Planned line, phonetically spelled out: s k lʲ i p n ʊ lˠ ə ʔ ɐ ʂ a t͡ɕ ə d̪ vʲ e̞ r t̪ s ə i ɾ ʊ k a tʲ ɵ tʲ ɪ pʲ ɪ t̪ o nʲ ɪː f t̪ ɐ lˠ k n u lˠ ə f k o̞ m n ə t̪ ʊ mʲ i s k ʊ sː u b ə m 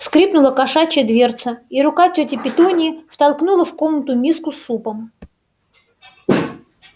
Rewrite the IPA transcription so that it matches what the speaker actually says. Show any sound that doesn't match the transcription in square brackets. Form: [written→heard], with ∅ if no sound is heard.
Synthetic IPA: s k [lʲ→ɾʲ] i p n ʊ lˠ ə [ʔ→k] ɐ ʂ a t͡ɕ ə d̪ vʲ e̞ r t̪ s ə i ɾ ʊ k a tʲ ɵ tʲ ɪ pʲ ɪ t̪ o nʲ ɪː f t̪ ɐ lˠ k n u lˠ ə f k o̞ m n ə t̪ ʊ mʲ i s k ʊ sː u [b→p] ə m